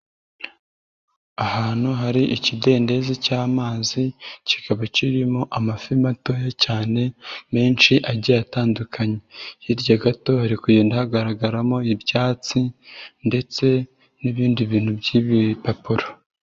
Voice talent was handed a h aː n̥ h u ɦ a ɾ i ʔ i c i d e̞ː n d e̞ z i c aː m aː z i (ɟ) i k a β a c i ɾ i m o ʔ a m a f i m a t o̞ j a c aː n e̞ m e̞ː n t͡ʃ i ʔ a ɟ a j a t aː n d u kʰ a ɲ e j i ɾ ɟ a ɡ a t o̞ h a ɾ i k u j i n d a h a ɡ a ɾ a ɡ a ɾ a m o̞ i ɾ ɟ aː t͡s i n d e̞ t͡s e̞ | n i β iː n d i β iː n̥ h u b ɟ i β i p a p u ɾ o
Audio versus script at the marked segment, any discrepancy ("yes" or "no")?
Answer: yes